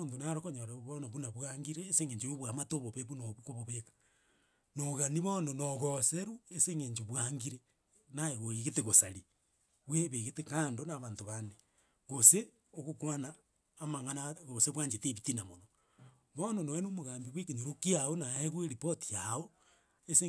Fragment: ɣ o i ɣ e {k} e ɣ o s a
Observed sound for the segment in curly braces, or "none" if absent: t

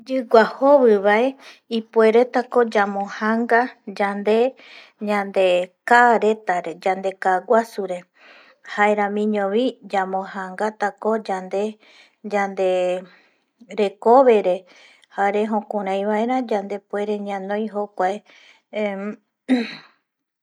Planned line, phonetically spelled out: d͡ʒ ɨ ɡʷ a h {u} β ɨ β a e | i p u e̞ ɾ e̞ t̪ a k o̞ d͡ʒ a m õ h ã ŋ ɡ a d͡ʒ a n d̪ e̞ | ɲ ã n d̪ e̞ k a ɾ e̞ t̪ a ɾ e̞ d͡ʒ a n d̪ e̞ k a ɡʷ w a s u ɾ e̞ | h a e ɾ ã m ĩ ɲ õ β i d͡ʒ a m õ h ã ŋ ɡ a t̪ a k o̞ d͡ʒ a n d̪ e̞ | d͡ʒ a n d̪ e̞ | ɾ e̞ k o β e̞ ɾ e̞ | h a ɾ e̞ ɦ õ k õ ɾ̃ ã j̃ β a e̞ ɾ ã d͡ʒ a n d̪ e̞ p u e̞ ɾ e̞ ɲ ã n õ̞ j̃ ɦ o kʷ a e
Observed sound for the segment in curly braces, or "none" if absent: o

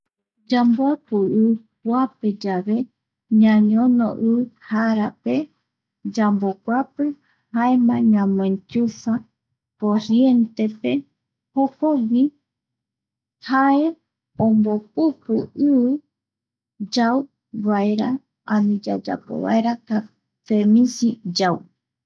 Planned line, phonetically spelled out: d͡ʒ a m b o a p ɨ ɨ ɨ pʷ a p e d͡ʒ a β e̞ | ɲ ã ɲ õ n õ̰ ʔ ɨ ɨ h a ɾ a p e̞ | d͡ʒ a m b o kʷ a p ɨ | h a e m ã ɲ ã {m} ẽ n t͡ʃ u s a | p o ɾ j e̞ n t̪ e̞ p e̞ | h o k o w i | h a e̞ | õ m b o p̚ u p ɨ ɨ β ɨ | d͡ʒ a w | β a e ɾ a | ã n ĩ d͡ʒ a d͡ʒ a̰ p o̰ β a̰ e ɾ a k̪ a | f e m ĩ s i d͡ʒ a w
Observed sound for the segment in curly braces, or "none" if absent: m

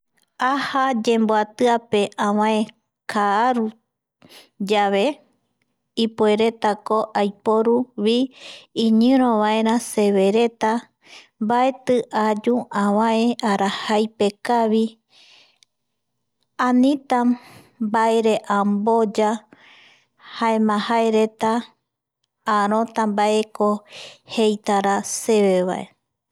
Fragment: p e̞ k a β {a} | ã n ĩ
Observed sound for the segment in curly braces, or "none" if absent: i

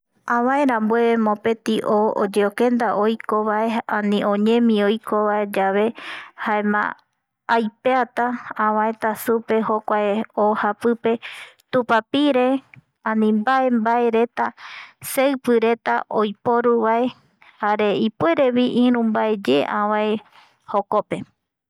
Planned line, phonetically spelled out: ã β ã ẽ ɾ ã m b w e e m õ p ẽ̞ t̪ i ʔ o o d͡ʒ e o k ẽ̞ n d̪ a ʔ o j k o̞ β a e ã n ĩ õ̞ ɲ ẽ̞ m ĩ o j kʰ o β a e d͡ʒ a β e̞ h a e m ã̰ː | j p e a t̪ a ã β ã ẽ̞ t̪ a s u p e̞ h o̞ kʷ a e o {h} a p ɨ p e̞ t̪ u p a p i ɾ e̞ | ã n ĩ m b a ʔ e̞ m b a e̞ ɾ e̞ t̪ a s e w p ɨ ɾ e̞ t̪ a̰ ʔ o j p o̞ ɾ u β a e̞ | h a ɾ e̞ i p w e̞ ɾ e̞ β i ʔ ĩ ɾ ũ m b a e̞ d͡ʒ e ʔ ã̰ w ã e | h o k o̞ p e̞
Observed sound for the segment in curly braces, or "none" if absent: h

